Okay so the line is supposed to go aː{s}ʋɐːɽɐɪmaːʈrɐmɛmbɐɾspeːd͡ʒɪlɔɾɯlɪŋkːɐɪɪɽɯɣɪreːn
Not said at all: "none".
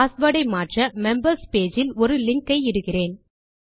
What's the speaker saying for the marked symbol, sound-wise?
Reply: s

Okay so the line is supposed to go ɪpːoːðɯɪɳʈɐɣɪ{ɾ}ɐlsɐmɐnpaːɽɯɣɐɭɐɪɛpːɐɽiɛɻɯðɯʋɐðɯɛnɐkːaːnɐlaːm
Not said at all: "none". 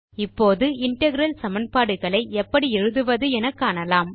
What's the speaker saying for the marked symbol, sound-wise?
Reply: ɾ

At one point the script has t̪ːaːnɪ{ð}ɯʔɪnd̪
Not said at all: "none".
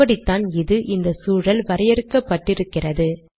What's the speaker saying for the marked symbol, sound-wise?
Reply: ð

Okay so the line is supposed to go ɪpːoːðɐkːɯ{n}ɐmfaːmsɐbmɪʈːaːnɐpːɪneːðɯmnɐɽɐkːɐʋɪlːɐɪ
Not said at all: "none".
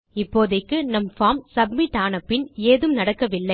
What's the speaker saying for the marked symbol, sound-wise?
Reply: n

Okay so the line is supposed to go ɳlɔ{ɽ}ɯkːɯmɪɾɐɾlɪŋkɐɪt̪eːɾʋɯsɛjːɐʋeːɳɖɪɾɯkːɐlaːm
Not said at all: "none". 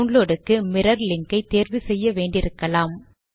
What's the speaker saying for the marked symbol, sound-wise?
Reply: ɽ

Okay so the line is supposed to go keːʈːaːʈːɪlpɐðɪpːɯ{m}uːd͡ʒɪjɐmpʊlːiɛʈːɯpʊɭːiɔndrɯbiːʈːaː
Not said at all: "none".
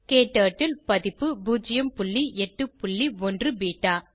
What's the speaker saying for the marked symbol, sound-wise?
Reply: b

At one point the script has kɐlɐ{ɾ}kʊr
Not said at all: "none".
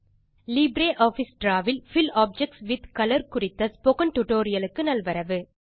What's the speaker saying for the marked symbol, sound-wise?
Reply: ɾ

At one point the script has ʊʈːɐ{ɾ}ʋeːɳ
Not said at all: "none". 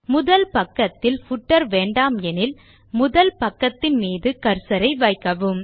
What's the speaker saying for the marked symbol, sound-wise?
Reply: ɾ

